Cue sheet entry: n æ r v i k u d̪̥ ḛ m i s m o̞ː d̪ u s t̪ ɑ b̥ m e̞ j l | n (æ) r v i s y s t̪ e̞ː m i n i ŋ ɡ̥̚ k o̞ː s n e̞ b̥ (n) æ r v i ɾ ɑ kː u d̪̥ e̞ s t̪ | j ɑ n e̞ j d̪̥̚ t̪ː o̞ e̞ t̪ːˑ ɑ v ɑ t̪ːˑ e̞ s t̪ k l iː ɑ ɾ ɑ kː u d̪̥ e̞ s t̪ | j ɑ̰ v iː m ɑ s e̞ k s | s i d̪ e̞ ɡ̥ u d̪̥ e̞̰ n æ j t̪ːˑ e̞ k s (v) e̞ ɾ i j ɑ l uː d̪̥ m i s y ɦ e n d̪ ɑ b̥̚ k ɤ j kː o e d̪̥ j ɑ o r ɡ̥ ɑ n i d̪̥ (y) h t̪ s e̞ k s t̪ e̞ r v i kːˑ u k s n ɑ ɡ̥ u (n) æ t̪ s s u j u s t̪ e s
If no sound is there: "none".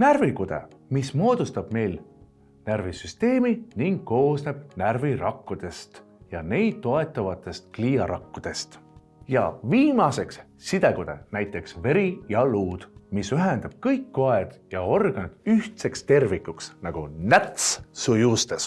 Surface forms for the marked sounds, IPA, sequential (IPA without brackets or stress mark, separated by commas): æ, n, v, y, n